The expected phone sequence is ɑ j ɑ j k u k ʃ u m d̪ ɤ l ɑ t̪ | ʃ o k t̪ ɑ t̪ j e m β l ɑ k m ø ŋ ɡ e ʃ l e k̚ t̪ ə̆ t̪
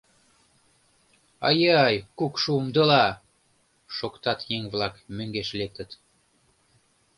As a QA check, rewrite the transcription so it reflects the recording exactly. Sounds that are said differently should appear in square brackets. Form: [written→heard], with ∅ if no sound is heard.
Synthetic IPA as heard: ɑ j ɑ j k u k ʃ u m d̪ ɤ l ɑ [t̪→∅] | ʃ o k t̪ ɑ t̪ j e [m→ŋ] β l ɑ k m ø ŋ ɡ e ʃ l e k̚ t̪ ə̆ t̪